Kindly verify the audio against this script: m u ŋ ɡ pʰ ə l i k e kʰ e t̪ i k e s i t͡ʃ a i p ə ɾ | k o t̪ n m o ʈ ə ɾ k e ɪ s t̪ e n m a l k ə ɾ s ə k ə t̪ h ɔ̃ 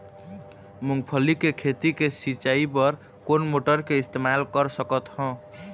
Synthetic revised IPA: m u ŋ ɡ pʰ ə l i k e kʰ e t̪ i k e s i t͡ʃ a i p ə ɾ | k o n m o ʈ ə ɾ k e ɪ s t̪ e m a l k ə ɾ s ə k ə t̪ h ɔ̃